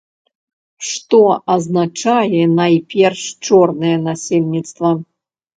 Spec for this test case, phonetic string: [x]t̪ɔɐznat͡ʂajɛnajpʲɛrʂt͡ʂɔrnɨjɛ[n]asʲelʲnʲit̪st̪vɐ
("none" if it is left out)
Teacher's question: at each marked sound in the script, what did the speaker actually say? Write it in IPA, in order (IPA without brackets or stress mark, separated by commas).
ʂ, n